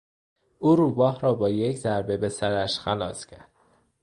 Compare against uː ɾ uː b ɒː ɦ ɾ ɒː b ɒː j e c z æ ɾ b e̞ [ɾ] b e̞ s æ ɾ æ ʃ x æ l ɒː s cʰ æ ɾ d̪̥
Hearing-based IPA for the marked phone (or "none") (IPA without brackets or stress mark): none